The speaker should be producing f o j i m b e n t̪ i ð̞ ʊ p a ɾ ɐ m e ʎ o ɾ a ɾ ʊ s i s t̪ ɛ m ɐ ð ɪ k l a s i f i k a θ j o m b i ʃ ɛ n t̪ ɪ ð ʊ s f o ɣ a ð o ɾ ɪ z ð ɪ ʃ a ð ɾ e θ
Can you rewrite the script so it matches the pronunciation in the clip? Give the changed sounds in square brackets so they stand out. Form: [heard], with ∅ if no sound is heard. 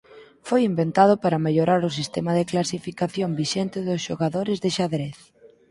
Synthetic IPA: f o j i m b e n t̪ [a] ð̞ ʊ p a ɾ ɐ m e ʎ o ɾ a ɾ ʊ s i s t̪ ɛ m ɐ ð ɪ k l a s i f i k a θ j o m b i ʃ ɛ n t̪ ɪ ð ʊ s [ʃ] o ɣ a ð o ɾ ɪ z ð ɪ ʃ a ð ɾ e θ